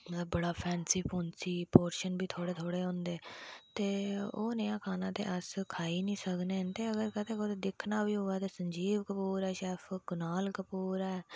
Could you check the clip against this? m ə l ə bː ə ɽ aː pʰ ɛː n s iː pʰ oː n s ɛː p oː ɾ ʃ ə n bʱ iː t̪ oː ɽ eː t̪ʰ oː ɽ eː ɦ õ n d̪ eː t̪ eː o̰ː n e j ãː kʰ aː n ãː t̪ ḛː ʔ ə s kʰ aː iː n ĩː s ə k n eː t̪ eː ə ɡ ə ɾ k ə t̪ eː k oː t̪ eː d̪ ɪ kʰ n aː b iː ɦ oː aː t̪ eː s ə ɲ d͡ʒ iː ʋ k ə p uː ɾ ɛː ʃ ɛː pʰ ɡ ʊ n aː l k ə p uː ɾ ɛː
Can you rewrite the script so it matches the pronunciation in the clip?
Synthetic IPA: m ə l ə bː ə ɽ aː pʰ ɛː n s iː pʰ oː n s iː p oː ɾ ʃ ə n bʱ iː t̪ʰ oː ɽ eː t̪ʰ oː ɽ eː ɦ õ n d̪ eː t̪ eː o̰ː n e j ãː kʰ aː n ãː t̪ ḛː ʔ ə s kʰ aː iː n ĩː s ə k n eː t̪ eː ə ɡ ə ɾ k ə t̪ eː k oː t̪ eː d̪ ɪ kʰ n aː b iː ɦ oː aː t̪ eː s ə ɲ d͡ʒ iː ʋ k ə p uː ɾ ɛː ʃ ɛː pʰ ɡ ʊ n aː l k ə p uː ɾ ɛː